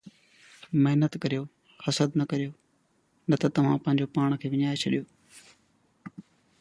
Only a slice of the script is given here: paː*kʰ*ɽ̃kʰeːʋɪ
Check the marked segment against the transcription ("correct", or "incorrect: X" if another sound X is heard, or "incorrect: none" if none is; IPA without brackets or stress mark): incorrect: none